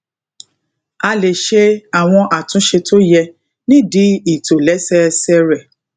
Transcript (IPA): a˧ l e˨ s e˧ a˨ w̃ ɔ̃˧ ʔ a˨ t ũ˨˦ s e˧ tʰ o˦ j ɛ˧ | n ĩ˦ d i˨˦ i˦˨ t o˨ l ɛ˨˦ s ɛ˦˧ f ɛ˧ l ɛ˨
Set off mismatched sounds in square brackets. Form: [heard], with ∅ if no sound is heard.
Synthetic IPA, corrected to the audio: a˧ l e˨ [ʃ] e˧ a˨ w̃ ɔ̃˧ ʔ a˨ t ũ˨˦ [ʃ] e˧ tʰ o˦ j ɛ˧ | n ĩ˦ d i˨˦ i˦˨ t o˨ l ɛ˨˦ s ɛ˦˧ [s] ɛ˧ [ɾ] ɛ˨